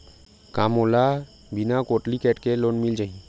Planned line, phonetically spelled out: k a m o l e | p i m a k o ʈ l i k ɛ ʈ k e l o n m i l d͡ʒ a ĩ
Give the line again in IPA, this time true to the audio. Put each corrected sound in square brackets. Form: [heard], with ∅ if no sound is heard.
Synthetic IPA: k a m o l [a] | [b] i [n] a k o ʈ l i k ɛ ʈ k e l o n m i l d͡ʒ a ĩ